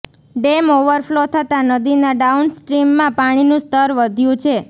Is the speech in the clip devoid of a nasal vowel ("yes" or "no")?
no